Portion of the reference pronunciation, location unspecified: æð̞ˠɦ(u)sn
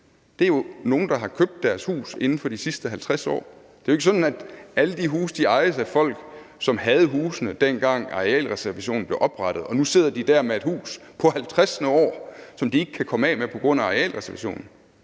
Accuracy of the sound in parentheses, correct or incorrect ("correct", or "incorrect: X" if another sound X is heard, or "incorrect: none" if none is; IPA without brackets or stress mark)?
incorrect: uː